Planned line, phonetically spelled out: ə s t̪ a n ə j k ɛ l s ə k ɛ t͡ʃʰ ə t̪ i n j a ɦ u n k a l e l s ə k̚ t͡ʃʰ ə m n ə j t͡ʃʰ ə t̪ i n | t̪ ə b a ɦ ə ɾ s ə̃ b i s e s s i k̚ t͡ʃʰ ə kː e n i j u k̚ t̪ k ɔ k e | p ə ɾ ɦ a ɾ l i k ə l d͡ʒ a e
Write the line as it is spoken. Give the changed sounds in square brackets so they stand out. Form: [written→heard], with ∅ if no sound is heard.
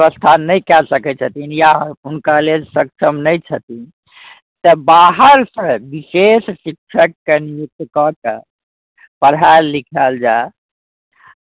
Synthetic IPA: ə s [t̪→t̪ʰ] a n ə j k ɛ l s ə k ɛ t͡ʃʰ ə t̪ i n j a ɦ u n k a l e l s ə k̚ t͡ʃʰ ə m n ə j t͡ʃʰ ə t̪ i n | t̪ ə b a ɦ ə ɾ s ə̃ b i s e s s i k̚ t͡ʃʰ ə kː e n i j u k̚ t̪ k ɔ k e | p ə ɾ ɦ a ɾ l i [k→kʰ] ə l d͡ʒ a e

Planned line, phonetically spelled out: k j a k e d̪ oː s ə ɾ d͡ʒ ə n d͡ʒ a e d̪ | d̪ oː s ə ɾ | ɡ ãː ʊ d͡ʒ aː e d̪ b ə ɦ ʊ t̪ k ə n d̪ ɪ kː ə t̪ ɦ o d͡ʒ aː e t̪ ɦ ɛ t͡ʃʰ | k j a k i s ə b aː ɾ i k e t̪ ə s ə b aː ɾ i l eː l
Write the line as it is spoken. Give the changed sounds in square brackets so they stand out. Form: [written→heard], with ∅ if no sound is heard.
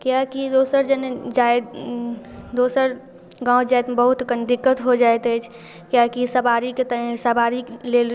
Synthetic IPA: k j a k [e→i] d̪ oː s ə ɾ d͡ʒ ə n d͡ʒ a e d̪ | d̪ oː s ə ɾ | ɡ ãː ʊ d͡ʒ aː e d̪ b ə ɦ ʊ t̪ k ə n d̪ ɪ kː ə t̪ ɦ o d͡ʒ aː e t̪ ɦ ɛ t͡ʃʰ | k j a k i s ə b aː ɾ i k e t̪ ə s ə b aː ɾ i l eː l

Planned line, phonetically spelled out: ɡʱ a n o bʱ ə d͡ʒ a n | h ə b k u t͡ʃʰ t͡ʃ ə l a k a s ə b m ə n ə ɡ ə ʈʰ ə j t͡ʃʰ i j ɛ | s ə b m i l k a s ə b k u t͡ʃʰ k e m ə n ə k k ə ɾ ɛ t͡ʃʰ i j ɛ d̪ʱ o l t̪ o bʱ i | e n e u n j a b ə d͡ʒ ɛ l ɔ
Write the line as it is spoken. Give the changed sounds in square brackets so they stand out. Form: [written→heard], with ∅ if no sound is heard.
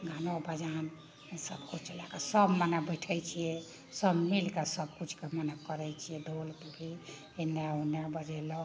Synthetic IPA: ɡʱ a n o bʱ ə d͡ʒ a n | [h→s] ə b k u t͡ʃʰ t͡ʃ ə l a k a s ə b m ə n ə [ɡ→b] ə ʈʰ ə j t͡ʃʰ i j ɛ | s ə b m i l k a s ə b k u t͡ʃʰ k e m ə n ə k k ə ɾ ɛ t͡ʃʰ i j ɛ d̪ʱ o l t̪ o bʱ i | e n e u n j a b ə d͡ʒ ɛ l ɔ

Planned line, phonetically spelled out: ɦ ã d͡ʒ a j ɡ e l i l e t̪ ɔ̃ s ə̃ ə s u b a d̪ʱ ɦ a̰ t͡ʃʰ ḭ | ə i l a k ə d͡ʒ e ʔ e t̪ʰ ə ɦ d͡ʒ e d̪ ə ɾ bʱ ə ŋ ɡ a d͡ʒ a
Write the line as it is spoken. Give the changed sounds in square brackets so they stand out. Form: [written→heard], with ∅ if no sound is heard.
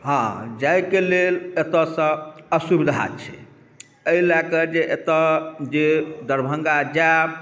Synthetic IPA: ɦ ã d͡ʒ a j [ɡ→k] e l [i→e] l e t̪ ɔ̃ s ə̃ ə s u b [a→i] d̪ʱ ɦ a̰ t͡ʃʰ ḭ | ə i l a k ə d͡ʒ e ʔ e [t̪ʰ→t̪] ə [ɦ→∅] d͡ʒ e d̪ ə ɾ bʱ ə ŋ ɡ a d͡ʒ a

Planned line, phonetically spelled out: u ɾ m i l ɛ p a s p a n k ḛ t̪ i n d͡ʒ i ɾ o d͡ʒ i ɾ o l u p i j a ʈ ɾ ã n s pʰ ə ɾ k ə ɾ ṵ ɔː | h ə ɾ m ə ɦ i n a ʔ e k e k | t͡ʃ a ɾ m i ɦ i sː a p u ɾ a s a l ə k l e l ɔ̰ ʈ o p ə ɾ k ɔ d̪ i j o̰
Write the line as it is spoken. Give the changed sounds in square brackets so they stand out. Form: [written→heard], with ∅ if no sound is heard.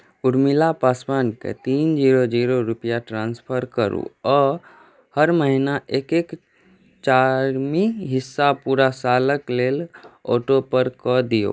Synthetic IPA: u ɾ m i l [ɛ→a] p a s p a n k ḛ t̪ i n d͡ʒ i ɾ o d͡ʒ i ɾ o [l→ɾ] u p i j a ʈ ɾ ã n s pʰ ə ɾ k ə ɾ ṵ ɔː | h ə ɾ m ə ɦ i n a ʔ e k e k | t͡ʃ a ɾ m i ɦ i sː a p u ɾ a s a l ə k l e l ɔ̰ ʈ o p ə ɾ k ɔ d̪ i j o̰

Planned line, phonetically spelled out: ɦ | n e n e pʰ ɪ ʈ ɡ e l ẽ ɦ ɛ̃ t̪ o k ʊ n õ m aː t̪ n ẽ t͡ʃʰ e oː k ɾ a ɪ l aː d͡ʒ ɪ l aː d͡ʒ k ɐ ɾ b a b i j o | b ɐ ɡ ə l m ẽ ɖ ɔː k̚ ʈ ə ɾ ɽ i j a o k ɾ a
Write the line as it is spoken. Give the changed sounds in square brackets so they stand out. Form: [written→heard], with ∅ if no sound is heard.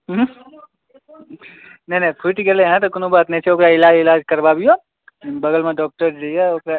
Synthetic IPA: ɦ | n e n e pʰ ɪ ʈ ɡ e l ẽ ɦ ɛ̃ t̪ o k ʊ n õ [m→b] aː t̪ n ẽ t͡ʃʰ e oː k ɾ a ɪ l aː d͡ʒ ɪ l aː d͡ʒ k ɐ ɾ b a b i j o | b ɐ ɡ ə l m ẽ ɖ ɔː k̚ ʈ ə ɾ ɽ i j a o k ɾ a

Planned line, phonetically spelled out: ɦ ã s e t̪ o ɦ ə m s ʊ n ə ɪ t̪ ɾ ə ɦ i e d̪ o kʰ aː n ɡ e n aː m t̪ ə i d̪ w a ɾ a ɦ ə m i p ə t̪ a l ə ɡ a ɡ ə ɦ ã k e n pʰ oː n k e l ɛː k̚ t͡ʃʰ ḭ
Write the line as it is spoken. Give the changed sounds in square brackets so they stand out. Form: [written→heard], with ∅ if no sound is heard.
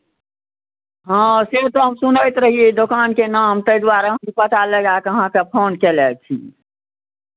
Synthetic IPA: ɦ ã s e t̪ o ɦ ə m s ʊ n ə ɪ t̪ ɾ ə ɦ i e d̪ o [kʰ→k] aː n [ɡ→k] e n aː m t̪ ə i d̪ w a ɾ a ɦ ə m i p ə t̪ a l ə ɡ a [ɡ→k] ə ɦ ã k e [n→∅] pʰ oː n k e l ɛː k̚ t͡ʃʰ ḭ

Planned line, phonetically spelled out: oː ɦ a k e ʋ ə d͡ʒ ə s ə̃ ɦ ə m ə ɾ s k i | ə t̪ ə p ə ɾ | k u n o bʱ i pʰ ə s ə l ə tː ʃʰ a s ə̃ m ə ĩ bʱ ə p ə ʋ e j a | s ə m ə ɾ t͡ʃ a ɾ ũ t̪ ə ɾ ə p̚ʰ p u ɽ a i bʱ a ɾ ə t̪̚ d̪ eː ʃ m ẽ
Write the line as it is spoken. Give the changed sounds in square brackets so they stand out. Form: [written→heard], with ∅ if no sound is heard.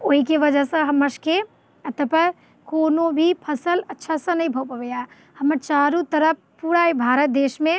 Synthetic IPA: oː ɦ [a→i] k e ʋ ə d͡ʒ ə s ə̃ ɦ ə m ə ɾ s k [i→e] | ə t̪ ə p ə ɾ | k [u→o] n o bʱ i pʰ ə s ə l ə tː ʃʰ a s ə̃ [m→n] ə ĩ bʱ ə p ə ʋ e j a | [s→h] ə m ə ɾ t͡ʃ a ɾ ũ t̪ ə ɾ ə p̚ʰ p u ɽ a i bʱ a ɾ ə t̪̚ d̪ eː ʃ m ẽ

